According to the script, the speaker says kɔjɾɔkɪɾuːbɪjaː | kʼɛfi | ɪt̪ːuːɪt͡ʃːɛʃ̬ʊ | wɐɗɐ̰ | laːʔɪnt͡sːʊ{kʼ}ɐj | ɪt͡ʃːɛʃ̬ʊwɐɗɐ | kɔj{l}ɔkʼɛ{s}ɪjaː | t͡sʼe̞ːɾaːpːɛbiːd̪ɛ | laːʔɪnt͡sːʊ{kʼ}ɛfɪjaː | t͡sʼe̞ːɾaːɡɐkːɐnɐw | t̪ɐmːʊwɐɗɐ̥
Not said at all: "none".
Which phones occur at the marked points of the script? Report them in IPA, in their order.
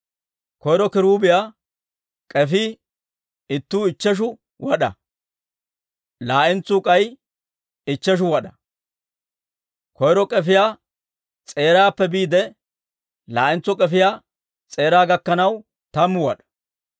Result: kʼ, ɾ, f, kʼ

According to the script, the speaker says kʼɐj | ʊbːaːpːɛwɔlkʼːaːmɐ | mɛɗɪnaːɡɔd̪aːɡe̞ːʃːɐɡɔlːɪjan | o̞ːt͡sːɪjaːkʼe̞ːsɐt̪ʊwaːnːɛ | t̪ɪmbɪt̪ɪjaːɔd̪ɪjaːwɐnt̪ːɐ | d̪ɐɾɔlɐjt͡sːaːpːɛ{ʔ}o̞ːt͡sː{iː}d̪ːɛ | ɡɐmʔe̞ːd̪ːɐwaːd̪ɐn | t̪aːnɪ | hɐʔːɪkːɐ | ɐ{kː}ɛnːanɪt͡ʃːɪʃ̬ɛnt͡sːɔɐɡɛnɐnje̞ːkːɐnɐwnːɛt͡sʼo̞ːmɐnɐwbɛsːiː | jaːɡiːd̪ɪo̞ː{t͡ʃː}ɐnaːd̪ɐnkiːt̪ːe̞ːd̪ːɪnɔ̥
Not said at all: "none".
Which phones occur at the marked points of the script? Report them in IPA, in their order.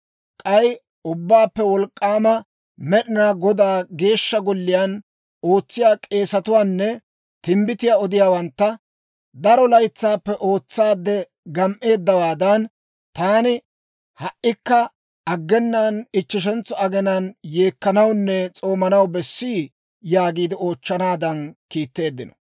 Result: ʔ, aː, ɡː, t͡ʃː

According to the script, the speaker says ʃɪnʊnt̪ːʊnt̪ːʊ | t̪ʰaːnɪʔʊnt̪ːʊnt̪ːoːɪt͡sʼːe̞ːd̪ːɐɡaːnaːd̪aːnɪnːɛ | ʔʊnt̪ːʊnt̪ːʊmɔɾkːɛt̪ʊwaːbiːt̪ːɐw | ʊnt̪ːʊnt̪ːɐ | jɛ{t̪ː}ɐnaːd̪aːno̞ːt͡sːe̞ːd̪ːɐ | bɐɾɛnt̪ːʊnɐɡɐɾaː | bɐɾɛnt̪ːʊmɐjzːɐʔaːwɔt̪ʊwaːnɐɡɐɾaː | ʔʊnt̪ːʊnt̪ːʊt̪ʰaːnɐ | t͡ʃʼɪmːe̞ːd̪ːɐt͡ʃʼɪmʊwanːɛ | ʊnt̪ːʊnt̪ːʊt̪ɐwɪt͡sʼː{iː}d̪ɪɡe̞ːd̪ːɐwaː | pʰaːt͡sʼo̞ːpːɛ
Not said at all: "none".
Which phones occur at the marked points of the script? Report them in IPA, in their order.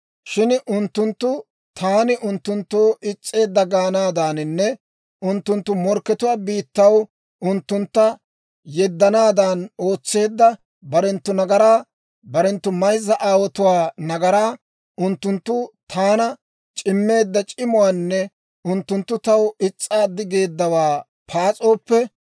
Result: d̪ː, aː

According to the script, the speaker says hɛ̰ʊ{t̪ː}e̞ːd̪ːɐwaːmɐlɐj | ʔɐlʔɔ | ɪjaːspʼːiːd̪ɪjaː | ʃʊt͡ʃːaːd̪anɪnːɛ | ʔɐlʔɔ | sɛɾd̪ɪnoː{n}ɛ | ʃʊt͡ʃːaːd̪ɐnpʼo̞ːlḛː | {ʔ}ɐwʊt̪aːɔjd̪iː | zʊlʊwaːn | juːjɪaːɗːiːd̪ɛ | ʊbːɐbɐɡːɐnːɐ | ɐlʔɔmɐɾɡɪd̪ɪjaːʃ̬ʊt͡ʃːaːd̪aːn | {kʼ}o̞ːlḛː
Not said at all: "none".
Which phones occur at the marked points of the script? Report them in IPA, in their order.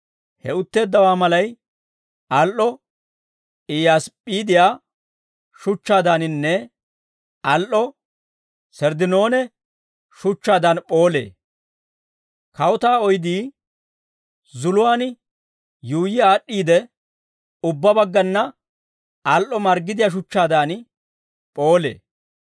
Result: t̪ː, n, k, pʼ

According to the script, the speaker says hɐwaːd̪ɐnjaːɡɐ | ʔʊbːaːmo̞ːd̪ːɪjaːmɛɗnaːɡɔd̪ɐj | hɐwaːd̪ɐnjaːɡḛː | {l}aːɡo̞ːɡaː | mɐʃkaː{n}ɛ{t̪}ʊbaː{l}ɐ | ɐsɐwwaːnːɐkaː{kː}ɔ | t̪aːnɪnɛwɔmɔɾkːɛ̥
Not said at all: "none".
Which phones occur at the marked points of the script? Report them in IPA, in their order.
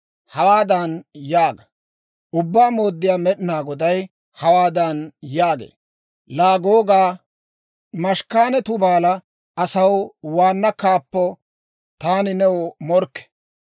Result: l, n, t̪, l, pː

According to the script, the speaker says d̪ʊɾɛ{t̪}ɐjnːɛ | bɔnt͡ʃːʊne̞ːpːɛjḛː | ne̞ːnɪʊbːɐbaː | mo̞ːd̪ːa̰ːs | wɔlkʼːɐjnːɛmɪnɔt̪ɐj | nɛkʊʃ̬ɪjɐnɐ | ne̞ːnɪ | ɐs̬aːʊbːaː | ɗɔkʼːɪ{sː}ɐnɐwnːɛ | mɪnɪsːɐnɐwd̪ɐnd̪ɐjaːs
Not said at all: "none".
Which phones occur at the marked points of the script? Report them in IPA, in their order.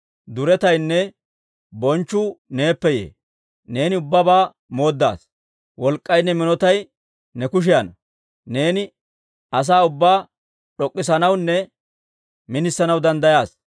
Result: t̪, s

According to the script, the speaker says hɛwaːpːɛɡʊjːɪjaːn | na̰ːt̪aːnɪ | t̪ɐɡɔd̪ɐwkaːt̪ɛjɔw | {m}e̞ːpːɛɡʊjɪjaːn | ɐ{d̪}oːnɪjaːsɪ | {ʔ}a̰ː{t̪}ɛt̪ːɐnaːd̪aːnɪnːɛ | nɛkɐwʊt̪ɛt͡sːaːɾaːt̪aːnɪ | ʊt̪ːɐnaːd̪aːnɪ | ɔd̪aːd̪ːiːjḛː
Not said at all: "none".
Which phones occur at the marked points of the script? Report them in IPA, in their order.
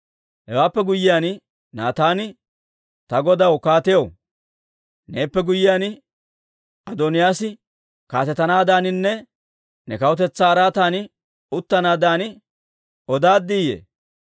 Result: n, d̪, k, t̪

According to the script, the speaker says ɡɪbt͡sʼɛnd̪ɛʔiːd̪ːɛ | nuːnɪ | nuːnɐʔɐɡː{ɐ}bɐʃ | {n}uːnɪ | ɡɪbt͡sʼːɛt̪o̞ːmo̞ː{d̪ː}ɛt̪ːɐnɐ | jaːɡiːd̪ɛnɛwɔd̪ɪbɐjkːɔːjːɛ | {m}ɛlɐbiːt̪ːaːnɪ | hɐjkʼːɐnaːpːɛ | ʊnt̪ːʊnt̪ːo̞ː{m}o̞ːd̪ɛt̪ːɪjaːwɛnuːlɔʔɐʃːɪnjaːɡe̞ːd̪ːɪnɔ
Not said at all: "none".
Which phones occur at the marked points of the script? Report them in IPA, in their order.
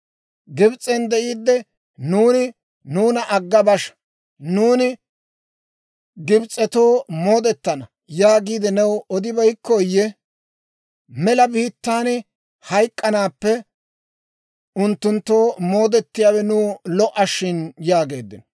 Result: ɐ, n, d̪, m, m

